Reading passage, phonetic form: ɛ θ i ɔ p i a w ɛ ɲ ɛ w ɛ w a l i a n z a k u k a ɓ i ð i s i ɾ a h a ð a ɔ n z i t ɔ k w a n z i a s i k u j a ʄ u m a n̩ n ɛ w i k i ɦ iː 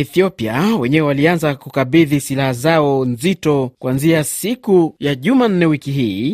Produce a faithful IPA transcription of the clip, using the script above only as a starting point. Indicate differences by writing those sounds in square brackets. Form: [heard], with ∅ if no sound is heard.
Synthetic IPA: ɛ θ i ɔ p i a w ɛ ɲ ɛ w ɛ w a l i a n z a k u k a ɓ i ð i s i [l] a h a [z] a ɔ n z i t ɔ k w a n z i a s i k u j a ʄ u m a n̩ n ɛ w i k i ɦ iː